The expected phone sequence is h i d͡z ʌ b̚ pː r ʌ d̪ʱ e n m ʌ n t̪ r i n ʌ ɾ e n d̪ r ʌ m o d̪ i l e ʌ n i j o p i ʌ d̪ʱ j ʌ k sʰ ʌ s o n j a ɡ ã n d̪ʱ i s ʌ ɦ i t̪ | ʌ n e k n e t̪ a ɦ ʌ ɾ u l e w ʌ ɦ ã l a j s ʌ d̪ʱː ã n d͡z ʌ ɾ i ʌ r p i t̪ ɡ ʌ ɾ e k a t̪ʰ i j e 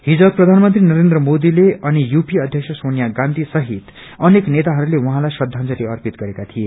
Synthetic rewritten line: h i d͡z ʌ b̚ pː r ʌ d̪ʱ a n m ʌ n t̪ r i n ʌ ɾ e n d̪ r ʌ m o d̪ i l e ʌ n i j u p i ʌ d̪ʱ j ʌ k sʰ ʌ s o n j a ɡ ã n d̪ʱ i s ʌ ɦ i t̪ | ʌ n e k n e t̪ a ɦ ʌ ɾ u l e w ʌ ɦ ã l a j s ʌ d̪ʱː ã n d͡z ʌ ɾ i ʌ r p i t̪ ɡ ʌ ɾ e k a t̪ʰ i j e